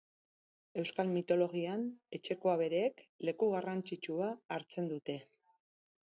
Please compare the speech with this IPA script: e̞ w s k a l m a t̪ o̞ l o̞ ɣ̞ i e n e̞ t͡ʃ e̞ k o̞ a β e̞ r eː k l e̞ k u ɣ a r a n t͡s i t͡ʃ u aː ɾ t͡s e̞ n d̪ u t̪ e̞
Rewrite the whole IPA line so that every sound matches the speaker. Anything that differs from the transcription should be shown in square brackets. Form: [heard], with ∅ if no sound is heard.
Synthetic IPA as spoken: e̞ w s k a l m [i] t̪ o̞ l o̞ ɣ̞ i [a] n e̞ t͡ʃ e̞ k o̞ a β e̞ [ɾ] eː k l e̞ k u ɣ a r a n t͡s i t͡ʃ u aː ɾ t͡s e̞ n d̪ u t̪ e̞